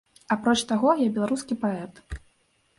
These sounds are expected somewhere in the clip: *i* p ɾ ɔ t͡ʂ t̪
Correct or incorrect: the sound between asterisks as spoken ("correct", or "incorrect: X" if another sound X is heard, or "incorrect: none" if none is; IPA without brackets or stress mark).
incorrect: a